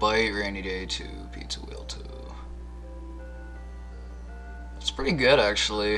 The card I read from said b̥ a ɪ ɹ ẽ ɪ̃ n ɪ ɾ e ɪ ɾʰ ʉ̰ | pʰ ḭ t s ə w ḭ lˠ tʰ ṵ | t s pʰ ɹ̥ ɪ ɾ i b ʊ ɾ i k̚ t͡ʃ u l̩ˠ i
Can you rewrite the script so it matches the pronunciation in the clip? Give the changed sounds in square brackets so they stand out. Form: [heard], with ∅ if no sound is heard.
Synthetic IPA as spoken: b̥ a ɪ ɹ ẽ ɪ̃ n [i] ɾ e ɪ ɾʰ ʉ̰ | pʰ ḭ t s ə w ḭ lˠ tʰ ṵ | t s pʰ ɹ̥ ɪ ɾ i [ɡ] ʊ ɾ [æ] k̚ t͡ʃ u l̩ˠ i